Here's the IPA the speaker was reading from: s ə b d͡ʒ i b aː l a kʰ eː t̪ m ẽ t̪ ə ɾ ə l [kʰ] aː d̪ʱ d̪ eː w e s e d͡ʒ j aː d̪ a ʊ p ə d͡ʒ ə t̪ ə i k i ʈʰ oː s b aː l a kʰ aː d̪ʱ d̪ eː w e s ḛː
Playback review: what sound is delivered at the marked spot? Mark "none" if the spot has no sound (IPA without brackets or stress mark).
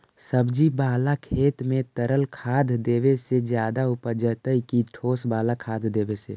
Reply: kʰ